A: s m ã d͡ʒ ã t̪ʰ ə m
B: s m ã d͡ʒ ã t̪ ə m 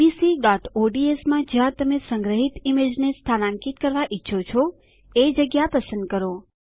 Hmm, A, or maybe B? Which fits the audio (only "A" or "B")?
B